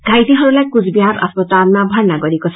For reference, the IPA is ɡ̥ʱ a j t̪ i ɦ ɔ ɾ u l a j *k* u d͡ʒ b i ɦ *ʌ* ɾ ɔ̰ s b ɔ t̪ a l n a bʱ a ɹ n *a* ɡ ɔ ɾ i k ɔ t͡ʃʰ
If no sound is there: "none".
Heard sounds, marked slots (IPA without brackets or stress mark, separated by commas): k, a, a